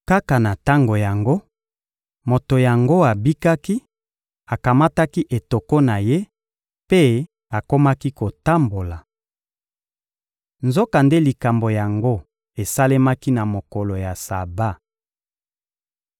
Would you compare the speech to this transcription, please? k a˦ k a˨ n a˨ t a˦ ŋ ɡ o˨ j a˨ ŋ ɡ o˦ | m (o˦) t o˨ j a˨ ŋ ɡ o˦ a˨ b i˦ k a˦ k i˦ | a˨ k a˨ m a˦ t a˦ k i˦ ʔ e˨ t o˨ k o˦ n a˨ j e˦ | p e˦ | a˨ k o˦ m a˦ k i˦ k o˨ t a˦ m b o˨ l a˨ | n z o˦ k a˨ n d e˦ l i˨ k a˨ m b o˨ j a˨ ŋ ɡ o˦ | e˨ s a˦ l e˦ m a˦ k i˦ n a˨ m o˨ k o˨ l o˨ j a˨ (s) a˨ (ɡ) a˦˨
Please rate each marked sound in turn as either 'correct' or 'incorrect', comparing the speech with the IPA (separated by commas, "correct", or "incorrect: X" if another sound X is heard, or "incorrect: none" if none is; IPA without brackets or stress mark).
incorrect: o˨, correct, incorrect: b